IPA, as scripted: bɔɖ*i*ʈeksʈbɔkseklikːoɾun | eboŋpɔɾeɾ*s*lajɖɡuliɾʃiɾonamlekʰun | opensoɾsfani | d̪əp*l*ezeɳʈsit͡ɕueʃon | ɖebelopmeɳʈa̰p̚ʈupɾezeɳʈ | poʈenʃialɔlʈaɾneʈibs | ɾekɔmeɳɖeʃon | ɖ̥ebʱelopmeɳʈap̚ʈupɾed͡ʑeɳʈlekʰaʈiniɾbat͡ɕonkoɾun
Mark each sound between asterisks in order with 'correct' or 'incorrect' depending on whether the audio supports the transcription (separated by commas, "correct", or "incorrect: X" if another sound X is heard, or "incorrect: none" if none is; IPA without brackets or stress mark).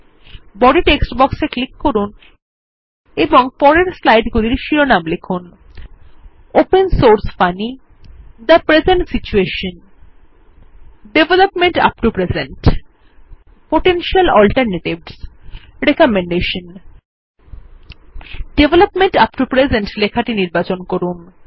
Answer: correct, correct, incorrect: ɾ